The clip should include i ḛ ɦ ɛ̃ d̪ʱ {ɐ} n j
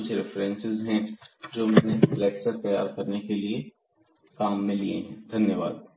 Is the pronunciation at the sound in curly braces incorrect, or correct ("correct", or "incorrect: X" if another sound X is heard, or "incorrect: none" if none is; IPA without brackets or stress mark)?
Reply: correct